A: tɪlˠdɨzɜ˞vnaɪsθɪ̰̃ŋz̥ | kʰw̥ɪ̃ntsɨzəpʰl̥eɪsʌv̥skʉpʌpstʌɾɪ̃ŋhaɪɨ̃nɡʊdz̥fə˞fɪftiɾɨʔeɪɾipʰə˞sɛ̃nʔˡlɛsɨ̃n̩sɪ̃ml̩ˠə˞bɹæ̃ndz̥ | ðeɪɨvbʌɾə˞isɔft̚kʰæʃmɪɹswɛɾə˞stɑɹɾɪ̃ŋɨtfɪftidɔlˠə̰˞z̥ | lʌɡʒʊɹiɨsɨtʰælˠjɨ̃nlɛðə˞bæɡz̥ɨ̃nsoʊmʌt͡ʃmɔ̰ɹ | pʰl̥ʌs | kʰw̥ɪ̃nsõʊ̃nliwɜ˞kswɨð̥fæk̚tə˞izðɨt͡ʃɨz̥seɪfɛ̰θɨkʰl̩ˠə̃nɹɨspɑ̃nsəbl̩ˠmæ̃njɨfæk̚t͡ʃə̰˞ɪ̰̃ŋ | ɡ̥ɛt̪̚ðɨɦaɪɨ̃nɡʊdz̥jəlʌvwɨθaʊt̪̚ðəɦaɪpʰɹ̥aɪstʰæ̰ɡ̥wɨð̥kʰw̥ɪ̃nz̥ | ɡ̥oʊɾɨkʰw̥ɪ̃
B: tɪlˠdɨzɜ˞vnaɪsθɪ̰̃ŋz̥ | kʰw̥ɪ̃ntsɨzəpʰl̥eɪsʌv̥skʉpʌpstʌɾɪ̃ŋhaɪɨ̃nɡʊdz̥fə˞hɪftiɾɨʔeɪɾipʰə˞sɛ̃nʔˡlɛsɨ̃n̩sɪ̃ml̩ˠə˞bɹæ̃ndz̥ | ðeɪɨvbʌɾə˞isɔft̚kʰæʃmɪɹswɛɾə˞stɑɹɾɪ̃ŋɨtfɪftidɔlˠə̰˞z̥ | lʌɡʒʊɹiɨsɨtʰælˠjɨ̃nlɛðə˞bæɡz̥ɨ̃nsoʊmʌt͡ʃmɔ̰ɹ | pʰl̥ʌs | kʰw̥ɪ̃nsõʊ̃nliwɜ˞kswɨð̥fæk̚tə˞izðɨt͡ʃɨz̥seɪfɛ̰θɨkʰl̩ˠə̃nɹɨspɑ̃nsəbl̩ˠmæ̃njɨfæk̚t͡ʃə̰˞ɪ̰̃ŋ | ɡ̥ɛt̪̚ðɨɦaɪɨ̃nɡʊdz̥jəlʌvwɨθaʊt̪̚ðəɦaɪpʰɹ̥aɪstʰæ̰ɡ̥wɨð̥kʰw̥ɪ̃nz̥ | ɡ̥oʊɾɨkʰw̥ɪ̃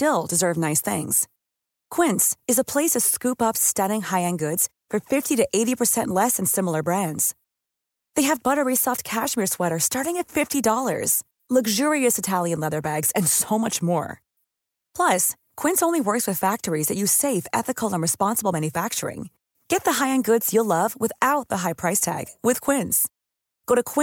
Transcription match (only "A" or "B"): A